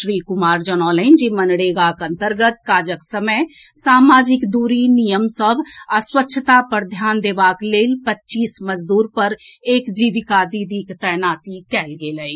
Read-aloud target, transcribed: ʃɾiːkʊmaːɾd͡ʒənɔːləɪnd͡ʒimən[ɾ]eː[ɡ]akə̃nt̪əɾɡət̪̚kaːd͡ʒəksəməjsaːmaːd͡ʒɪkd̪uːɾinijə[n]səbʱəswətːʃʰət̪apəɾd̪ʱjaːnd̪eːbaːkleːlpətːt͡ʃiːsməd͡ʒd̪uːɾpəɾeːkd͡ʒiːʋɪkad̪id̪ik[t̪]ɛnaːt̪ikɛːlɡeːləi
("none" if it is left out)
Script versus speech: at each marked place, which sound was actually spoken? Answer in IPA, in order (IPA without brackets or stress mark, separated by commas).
ɽ, ɡ, m, t̪